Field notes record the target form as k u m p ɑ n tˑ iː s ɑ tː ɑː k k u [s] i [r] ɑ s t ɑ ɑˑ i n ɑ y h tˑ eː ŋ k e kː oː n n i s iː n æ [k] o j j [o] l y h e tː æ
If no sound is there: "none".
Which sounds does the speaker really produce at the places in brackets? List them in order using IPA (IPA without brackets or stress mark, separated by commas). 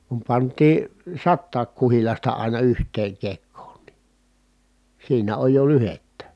h, l, none, o